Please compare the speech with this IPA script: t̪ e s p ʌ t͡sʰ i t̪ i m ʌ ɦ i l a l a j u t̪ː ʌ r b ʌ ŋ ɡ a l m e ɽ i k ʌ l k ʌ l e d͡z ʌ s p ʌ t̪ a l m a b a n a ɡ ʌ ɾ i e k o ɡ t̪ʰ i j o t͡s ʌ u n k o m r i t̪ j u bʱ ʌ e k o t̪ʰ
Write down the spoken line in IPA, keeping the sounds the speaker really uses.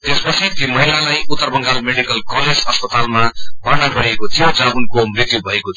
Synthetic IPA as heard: t̪ e s p ʌ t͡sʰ i t̪ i m ʌ ɦ i l a l a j u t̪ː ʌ r b ʌ ŋ ɡ a l m e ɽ i k ʌ l k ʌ l e d͡z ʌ s p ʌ t̪ a l m a b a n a ɡ ʌ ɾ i e k o t̪ʰ i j o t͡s ʌ u n k o m r i t̪ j u bʱ ʌ e k o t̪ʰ